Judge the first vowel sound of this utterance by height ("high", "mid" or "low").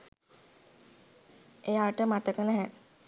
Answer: mid